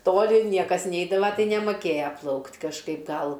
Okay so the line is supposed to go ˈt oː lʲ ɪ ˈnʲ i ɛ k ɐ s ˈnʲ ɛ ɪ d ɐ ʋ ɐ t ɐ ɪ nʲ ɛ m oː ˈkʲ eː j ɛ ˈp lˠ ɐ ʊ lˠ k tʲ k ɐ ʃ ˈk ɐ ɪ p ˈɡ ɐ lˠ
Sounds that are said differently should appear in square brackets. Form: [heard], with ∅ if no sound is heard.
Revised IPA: ˈt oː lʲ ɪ ˈnʲ i ɛ k ɐ s ˈnʲ ɛ ɪ d ɐ ʋ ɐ t ɐ ɪ nʲ ɛ m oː ˈkʲ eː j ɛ ˈp lˠ ɐ ʊ [∅] k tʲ k ɐ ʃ ˈk ɐ ɪ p ˈɡ ɐ lˠ